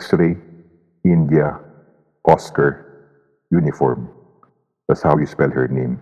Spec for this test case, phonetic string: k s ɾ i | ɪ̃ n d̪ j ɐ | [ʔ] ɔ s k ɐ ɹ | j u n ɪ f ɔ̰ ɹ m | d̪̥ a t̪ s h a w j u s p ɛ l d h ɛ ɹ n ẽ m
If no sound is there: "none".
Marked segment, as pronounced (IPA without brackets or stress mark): ʔ